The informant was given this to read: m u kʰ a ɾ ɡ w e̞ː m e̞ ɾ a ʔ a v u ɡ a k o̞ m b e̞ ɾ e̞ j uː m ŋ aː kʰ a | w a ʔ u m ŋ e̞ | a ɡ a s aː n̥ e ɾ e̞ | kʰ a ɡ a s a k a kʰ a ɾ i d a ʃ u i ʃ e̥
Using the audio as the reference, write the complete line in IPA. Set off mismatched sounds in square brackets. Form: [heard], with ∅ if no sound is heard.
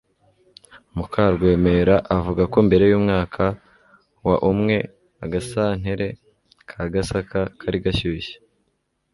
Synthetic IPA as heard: m u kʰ a ɾ ɡ w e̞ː m e̞ ɾ a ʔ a v u ɡ a k o̞ m b e̞ ɾ e̞ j uː m ŋ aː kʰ a | w a ʔ u m ŋ e̞ | a ɡ a s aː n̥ e ɾ e̞ | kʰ a ɡ a s a k a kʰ a ɾ i [ɡ] a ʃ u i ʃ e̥